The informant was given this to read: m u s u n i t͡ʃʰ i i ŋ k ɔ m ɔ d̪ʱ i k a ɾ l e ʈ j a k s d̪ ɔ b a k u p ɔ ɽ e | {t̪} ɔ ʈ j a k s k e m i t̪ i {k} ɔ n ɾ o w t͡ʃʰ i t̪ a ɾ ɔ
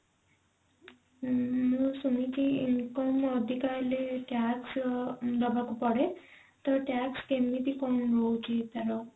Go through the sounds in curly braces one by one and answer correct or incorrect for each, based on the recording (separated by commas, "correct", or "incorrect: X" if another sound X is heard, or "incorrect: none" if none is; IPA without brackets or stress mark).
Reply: correct, correct